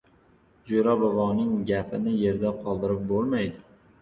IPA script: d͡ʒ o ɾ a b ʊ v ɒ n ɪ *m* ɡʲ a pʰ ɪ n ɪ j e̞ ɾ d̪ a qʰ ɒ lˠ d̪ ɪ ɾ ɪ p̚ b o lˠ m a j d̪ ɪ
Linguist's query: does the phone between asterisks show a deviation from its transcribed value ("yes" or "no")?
yes